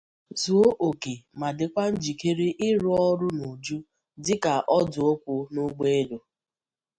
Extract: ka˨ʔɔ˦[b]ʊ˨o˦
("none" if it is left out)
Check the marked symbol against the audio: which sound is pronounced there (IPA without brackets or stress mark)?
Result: d